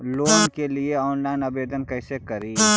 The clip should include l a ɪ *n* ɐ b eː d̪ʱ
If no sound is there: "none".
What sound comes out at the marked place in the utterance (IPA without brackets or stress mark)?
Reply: n